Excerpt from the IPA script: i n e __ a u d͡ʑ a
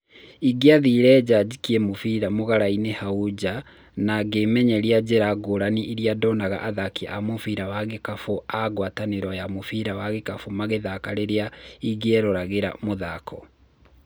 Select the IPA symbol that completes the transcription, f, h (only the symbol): h